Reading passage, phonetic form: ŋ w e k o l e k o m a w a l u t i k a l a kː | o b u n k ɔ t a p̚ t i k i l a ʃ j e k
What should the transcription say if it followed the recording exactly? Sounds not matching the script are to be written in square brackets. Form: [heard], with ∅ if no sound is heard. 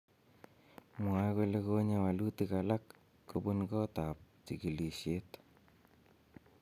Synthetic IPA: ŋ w [a] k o l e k o [ɲ] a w a l u t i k a l a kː | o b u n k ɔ t a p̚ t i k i l [i] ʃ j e [t]